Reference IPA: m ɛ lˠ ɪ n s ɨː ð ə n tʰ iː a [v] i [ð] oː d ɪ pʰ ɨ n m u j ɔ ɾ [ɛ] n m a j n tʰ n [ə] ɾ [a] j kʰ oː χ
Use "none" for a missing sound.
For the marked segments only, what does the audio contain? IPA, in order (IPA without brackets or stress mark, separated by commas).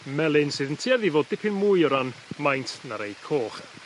ð, v, a, a, e